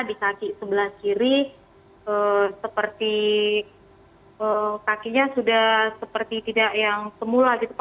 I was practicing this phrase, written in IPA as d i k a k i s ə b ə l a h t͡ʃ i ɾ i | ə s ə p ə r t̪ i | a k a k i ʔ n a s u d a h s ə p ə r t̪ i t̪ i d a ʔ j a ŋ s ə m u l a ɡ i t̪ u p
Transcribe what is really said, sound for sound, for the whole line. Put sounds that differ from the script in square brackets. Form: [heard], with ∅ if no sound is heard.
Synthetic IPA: d i k a k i s ə b ə l a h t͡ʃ i ɾ i | ə s ə p ə r t̪ i | [ə] k a k i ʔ [ɲ] a s u d a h s ə p ə r t̪ i t̪ i d a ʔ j a ŋ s ə m u l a ɡ i t̪ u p